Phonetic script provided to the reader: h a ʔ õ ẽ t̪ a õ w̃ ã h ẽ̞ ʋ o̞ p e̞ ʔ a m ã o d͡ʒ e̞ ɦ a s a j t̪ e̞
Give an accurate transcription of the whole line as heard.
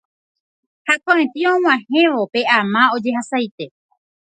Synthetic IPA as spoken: h a k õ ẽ t̪ i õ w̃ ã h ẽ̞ ʋ o̞ p e̞ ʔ a m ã o d͡ʒ e̞ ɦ a s a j t̪ e̞